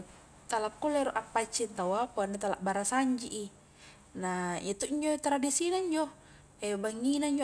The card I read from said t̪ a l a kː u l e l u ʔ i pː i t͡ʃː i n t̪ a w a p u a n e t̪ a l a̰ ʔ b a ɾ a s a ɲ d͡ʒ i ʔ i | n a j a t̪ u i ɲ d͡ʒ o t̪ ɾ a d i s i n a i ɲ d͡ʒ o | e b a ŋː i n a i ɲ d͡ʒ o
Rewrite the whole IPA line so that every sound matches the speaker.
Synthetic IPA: t̪ a l a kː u l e ɾ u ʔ a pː a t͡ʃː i n t̪ a w a p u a n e t̪ a l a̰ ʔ b a ɾ a s a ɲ d͡ʒ i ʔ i | n a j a t̪ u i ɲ d͡ʒ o t̪ ɾ a d i s i n a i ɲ d͡ʒ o | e b a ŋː i n a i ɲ d͡ʒ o